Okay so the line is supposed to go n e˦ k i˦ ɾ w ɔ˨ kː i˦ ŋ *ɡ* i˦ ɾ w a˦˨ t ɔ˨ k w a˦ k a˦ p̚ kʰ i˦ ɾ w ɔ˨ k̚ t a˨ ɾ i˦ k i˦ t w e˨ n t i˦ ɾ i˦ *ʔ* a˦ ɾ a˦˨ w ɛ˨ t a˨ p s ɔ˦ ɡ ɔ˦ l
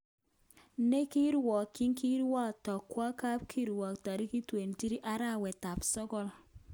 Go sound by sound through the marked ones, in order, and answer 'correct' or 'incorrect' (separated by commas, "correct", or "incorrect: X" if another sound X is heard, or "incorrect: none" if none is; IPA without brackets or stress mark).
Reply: incorrect: k, correct